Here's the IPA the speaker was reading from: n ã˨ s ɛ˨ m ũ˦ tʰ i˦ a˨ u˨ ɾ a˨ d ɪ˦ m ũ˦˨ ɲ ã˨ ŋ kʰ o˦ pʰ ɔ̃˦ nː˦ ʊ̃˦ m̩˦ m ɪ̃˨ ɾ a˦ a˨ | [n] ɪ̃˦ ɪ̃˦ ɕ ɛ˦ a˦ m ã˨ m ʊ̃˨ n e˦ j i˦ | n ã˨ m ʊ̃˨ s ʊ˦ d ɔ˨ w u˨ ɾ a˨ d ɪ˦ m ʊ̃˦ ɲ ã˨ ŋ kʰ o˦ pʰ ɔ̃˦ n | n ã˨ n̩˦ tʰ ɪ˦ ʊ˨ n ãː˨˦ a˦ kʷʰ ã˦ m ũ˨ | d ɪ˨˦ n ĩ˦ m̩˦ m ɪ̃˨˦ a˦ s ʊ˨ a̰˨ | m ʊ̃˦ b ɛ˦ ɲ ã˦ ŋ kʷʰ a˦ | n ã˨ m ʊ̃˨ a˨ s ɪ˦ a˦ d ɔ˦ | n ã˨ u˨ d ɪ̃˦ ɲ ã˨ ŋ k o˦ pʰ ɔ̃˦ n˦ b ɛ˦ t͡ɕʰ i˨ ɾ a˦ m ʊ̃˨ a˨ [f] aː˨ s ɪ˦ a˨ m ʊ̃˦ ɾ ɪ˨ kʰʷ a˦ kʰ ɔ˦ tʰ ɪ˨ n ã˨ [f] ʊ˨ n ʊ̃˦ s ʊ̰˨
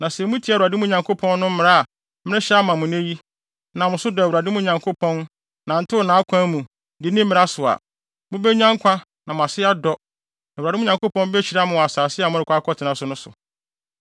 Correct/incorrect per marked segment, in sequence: incorrect, incorrect, incorrect

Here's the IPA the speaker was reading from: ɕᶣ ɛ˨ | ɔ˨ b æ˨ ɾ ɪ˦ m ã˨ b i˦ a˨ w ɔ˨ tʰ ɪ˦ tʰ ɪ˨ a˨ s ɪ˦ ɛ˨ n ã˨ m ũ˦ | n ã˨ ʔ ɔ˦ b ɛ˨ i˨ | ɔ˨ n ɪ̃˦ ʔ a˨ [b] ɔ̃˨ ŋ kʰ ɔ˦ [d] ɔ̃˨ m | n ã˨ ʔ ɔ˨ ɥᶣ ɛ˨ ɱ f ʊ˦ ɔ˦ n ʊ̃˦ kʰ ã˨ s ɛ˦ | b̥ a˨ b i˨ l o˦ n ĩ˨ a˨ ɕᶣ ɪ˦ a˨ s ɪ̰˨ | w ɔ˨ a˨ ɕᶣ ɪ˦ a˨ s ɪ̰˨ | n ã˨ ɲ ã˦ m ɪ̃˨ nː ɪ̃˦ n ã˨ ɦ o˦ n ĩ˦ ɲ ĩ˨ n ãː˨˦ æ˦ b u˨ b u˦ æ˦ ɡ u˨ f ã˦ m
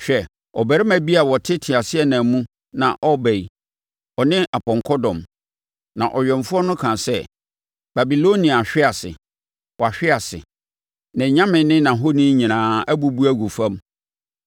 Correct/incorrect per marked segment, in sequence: incorrect, correct

